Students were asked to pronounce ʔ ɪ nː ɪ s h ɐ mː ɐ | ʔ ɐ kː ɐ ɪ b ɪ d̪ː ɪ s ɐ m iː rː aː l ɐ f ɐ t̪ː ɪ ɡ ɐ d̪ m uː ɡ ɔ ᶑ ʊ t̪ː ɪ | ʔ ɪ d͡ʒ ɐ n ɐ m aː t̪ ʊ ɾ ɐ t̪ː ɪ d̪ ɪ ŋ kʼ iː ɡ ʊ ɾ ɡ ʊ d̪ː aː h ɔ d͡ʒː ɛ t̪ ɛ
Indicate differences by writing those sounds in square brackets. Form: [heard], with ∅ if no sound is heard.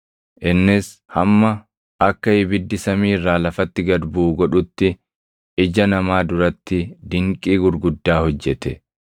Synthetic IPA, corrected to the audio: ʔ ɪ nː ɪ s h ɐ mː ɐ | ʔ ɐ kː ɐ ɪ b ɪ d̪ː ɪ s ɐ m iː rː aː l ɐ f ɐ t̪ː ɪ ɡ ɐ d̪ [b] uː ɡ ɔ ᶑ ʊ t̪ː ɪ | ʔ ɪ d͡ʒ ɐ n ɐ m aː [d̪] ʊ ɾ ɐ t̪ː ɪ d̪ ɪ ŋ kʼ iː ɡ ʊ ɾ ɡ ʊ d̪ː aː h ɔ d͡ʒː ɛ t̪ ɛ